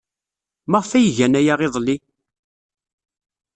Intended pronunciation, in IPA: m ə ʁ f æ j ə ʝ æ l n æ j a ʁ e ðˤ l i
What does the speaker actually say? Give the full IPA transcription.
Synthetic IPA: m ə ʁ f æ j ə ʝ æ n æ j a ʁ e ðˤ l i